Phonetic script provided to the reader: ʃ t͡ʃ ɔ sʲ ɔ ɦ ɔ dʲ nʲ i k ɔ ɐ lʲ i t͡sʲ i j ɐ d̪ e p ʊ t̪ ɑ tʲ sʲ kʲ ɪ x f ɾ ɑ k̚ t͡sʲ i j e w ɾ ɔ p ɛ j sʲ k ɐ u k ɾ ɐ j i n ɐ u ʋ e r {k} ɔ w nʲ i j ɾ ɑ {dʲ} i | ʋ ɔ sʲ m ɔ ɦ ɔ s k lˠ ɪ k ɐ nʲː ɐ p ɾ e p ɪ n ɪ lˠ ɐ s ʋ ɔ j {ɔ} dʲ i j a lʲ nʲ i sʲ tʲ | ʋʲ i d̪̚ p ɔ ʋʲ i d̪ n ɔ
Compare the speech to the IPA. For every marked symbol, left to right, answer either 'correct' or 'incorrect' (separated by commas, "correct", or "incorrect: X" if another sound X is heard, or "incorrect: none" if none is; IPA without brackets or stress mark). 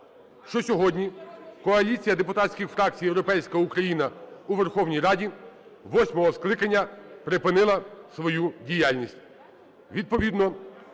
incorrect: x, correct, incorrect: u